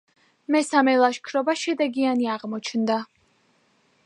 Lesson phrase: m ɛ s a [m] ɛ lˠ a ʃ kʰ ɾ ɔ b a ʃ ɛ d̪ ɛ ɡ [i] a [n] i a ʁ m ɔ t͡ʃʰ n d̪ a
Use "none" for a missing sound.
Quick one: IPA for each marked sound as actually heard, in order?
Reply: m, i, n

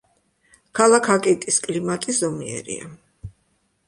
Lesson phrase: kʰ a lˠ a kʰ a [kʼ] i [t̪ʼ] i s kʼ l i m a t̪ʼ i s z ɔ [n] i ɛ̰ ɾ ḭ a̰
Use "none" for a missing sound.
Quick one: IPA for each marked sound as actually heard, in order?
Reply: kʼ, t̪ʼ, m

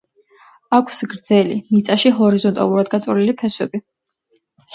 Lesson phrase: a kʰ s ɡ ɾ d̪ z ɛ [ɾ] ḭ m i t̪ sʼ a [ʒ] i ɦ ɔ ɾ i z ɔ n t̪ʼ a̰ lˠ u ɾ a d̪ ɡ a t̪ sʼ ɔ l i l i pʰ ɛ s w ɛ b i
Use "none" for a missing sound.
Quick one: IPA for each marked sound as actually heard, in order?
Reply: l, ʃ

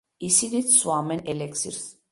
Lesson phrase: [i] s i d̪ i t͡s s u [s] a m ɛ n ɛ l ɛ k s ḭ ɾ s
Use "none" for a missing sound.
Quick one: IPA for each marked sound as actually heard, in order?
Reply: i, none

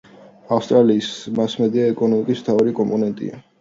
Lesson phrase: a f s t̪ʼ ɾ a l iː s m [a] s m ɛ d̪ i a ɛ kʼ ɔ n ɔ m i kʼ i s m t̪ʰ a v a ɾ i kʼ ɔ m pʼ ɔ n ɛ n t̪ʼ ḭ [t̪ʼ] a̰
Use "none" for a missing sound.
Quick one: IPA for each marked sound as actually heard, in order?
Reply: a, none

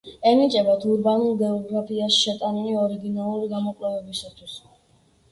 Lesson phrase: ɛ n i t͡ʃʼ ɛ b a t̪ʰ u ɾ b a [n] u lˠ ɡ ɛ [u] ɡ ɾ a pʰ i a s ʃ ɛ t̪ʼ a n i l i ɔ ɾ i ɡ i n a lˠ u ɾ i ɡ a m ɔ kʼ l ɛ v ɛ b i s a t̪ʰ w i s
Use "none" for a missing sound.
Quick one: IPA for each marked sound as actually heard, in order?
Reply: n, ɔ

